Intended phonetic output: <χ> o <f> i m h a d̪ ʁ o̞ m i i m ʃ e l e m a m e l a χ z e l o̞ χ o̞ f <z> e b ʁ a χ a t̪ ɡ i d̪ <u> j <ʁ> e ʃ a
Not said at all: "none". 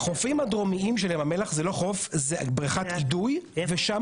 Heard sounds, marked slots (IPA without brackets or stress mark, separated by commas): χ, f, z, u, v